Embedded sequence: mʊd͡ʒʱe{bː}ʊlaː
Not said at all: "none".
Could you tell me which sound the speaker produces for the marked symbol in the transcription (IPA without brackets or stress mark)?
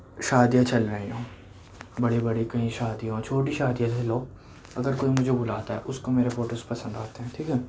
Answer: b